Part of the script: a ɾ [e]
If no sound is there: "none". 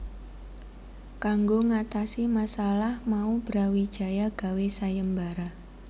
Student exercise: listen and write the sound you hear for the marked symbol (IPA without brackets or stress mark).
a